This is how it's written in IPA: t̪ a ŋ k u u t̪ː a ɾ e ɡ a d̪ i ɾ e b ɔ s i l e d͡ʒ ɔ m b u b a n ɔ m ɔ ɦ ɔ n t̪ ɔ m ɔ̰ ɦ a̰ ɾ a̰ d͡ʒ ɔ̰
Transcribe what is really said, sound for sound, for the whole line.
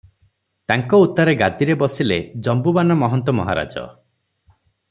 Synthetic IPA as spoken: t̪ a ŋ k ɔ u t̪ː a ɾ e ɡ a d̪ i ɾ e b ɔ s i l e d͡ʒ ɔ m b u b a n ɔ m ɔ ɦ ɔ n t̪ ɔ m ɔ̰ ɦ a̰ ɾ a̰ d͡ʒ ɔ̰